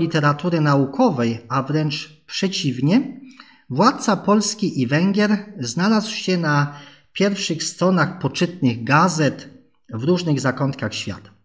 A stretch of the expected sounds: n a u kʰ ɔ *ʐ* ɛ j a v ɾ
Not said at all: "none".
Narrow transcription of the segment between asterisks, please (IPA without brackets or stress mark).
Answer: v